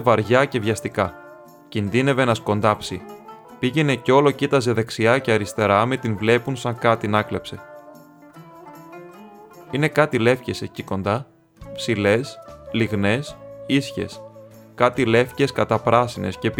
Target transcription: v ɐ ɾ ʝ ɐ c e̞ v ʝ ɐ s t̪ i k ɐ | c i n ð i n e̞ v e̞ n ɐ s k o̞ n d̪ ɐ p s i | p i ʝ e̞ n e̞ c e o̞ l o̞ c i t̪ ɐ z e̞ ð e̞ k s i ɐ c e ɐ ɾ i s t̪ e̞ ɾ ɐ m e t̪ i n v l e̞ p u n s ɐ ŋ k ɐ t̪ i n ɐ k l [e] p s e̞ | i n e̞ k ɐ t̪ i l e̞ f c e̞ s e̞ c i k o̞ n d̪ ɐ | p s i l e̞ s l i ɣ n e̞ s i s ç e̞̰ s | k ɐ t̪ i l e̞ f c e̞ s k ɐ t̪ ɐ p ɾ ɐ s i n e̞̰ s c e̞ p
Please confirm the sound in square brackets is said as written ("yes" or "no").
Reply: yes